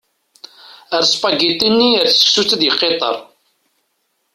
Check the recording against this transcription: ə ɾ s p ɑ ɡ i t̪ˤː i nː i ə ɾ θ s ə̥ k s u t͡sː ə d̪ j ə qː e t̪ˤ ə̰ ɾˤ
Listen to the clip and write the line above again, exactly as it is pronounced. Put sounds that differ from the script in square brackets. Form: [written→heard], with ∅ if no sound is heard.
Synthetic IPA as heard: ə ɾ s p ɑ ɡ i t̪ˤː i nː i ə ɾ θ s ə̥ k s u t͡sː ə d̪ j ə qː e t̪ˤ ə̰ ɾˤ